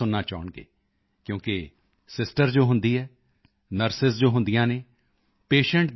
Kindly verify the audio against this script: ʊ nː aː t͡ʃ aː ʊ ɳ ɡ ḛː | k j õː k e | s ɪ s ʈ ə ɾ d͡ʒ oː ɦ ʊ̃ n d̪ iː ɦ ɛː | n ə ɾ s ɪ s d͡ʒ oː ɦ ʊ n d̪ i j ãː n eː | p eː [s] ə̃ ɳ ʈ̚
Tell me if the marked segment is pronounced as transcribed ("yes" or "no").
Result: no